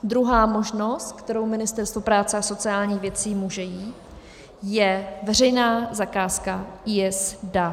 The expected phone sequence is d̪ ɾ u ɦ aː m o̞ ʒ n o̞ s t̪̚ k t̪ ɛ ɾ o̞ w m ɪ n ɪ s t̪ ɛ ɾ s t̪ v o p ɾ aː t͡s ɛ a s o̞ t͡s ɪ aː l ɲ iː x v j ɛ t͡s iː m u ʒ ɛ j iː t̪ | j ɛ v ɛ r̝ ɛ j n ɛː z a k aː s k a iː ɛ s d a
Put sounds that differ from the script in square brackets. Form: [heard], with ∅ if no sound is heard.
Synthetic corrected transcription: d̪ ɾ u ɦ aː m o̞ ʒ n o̞ s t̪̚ k t̪ ɛ ɾ o̞ w m ɪ n ɪ s t̪ ɛ ɾ s t̪ v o p ɾ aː t͡s ɛ a s o̞ t͡s ɪ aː l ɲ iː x v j ɛ t͡s iː m u ʒ ɛ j iː t̪ | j ɛ v ɛ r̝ ɛ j n [aː] z a k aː s k a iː ɛ s d a